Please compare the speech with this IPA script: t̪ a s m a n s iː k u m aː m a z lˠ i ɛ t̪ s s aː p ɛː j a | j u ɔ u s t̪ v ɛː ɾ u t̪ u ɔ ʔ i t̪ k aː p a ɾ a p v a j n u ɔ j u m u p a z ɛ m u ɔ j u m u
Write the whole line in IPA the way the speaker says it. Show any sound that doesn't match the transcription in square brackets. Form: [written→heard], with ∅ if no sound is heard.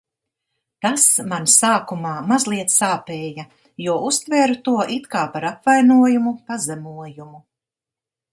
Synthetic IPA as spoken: t̪ a s m a n s [iː→aː] k u m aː m a z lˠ i ɛ t̪ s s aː p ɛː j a | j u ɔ u s t̪ v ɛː ɾ u t̪ u ɔ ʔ i t̪ k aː p a ɾ a p v a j n u ɔ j u m u p a z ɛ m u ɔ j u m u